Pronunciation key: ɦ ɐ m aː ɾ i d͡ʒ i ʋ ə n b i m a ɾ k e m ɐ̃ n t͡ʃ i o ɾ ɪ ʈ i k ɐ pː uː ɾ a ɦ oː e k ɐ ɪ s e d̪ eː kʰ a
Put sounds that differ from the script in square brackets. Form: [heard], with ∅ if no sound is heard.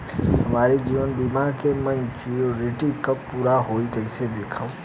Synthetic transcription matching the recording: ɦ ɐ m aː ɾ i d͡ʒ [iː] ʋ ə n b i m a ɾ k e m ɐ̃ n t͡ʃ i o ɾ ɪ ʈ i k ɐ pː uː ɾ a ɦ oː [i] k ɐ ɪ s e d̪ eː kʰ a